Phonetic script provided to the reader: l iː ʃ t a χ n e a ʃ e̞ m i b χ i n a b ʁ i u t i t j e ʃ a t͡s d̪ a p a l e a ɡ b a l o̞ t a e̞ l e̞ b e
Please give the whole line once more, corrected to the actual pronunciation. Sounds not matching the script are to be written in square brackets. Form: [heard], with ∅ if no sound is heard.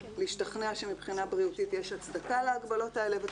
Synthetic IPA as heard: l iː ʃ t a χ n e a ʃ e̞ m i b χ i n a b ʁ i u t i t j e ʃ a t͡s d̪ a [k] a l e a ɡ b a l o̞ t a e̞ l e̞ [v] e